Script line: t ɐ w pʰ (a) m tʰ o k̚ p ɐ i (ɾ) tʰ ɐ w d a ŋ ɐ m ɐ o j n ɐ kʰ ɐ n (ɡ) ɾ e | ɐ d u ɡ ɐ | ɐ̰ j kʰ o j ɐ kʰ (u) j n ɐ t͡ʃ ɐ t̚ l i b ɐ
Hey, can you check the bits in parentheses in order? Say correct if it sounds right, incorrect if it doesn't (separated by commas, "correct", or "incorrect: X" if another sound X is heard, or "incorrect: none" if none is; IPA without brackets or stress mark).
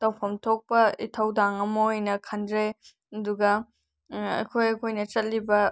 incorrect: ɐ, incorrect: none, incorrect: d, incorrect: o